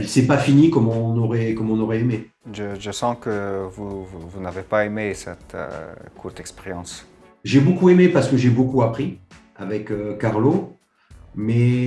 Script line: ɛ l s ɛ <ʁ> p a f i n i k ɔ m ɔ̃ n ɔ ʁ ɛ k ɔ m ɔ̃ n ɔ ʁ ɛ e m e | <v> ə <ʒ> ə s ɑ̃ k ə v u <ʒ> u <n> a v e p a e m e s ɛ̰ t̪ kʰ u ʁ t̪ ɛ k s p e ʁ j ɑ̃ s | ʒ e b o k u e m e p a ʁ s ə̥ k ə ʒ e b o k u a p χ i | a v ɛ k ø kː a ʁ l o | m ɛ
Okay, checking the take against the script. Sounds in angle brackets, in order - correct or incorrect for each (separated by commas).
incorrect, incorrect, correct, incorrect, correct